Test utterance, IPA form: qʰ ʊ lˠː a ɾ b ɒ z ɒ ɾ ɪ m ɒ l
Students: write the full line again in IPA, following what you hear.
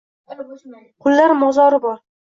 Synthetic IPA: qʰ ʊ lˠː a ɾ m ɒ z ɒ ɾ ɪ b ɒ ɾ